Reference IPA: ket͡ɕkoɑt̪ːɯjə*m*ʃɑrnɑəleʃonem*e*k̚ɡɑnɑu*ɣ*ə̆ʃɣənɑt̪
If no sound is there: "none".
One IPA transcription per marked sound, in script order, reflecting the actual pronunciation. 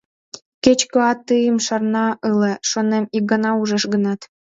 m, i, ʒ

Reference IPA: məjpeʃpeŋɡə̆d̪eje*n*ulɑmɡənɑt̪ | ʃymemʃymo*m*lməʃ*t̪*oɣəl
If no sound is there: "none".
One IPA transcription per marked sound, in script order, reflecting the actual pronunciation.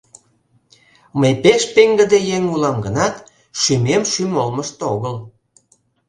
ŋ, none, t̪

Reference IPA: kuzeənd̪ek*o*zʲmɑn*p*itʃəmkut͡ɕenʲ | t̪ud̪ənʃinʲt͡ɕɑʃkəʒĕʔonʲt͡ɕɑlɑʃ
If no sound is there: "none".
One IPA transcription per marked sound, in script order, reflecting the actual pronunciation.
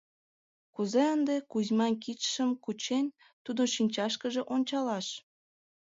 u, k

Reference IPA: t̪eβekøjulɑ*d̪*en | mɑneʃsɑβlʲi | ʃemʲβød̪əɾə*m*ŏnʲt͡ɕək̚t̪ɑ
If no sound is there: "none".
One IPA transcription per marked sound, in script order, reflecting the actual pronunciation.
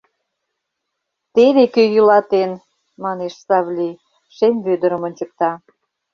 t̪, m

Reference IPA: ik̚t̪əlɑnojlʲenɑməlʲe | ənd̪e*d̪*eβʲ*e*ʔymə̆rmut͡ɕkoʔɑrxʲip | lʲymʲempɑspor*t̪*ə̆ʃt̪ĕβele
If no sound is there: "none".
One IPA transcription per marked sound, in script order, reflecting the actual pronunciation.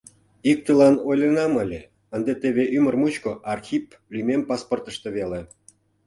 t̪, e, t̪

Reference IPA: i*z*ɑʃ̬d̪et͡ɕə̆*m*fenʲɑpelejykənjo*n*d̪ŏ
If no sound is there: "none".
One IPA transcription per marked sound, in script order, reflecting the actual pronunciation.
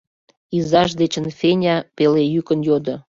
z, n, none

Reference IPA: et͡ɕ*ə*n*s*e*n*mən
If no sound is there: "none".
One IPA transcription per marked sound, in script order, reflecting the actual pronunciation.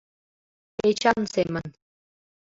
ɑ, s, none

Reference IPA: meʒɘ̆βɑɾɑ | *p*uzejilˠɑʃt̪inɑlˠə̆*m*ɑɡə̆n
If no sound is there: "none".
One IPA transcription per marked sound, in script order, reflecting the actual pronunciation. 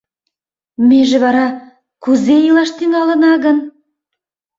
k, n

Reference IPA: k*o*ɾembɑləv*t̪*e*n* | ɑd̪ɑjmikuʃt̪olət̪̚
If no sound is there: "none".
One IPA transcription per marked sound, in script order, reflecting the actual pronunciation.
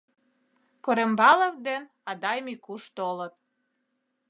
o, d̪, n

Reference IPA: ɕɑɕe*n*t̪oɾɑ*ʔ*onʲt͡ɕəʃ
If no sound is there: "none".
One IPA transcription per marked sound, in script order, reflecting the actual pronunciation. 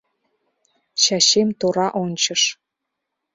m, ʔ

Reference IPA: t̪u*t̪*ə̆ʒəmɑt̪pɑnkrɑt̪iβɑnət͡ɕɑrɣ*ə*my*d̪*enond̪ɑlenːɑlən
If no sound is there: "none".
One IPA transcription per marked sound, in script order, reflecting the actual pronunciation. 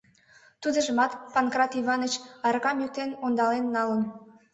d̪, ɑ, t̪

